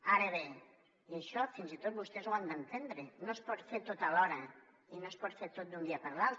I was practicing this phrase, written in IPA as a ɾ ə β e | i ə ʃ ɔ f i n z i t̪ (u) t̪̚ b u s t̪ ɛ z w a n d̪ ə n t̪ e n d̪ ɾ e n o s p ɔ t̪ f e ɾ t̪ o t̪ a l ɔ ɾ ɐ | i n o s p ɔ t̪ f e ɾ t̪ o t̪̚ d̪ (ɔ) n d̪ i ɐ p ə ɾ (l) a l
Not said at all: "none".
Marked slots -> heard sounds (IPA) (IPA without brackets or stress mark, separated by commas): o, u, l